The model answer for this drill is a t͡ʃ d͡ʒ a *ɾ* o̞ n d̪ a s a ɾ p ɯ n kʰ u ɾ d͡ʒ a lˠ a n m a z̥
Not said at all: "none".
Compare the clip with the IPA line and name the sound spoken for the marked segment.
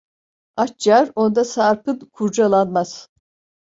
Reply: ɾ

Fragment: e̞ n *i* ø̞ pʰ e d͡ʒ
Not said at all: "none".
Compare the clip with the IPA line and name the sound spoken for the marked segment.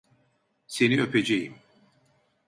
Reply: i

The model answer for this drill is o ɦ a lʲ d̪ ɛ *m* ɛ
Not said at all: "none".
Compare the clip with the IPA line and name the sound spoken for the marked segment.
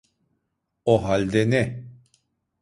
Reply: n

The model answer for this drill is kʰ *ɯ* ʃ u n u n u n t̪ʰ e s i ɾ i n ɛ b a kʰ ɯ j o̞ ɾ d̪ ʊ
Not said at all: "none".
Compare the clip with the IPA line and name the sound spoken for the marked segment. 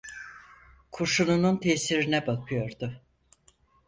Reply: u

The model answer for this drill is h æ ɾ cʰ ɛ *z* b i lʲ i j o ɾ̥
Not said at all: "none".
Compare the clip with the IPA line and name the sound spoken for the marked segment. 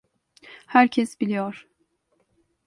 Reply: s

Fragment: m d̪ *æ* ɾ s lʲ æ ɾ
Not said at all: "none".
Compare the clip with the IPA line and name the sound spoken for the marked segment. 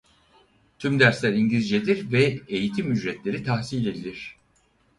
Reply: æ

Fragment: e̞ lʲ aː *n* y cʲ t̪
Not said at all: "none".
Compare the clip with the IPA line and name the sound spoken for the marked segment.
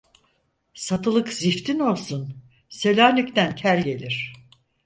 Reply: n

